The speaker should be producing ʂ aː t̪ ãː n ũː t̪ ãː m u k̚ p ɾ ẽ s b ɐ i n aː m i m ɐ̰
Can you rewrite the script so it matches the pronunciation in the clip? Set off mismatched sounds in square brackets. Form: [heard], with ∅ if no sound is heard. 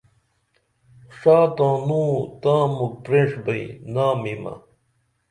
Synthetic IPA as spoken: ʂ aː t̪ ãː n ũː t̪ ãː m u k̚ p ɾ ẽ [ʂ] b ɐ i n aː m i m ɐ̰